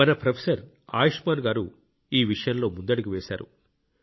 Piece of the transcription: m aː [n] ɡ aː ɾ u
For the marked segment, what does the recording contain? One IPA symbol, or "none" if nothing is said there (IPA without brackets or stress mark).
n